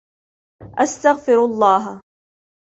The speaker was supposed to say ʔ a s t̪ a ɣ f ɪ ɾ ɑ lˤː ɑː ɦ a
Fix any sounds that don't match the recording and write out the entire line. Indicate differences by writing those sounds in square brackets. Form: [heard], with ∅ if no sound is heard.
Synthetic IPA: ʔ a s t̪ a ɣ f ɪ ɾ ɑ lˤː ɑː ɦ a